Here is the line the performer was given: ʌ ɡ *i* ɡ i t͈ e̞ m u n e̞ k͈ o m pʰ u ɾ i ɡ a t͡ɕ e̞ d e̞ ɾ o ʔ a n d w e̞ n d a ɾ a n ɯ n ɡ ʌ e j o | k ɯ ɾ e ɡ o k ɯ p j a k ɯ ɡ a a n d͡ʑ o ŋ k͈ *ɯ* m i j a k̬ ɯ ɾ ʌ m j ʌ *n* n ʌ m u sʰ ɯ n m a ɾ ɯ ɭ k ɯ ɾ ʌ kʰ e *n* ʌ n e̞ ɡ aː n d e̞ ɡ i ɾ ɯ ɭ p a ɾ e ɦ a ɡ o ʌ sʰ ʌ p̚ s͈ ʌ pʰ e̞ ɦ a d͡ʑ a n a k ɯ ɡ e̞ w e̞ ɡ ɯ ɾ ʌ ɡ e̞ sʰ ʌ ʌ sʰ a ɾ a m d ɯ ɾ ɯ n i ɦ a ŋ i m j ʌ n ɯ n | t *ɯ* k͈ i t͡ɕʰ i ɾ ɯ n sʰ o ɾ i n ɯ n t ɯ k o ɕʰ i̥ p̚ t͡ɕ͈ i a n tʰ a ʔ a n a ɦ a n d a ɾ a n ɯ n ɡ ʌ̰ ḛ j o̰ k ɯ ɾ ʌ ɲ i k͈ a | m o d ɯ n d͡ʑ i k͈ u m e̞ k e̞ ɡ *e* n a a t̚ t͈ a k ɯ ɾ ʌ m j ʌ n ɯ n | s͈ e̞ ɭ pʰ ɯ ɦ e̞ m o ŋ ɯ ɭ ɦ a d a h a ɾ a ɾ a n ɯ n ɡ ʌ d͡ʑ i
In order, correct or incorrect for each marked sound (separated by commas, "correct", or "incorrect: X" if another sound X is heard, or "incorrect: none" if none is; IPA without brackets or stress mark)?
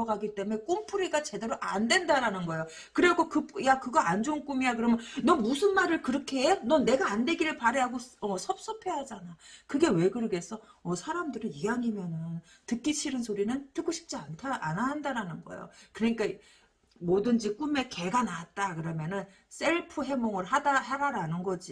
incorrect: a, incorrect: u, correct, correct, correct, incorrect: a